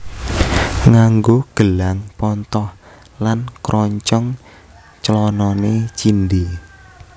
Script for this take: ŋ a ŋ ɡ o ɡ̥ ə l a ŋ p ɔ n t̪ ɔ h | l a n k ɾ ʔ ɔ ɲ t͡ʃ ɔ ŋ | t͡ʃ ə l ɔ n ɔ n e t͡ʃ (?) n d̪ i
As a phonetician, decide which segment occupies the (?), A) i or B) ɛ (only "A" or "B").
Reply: A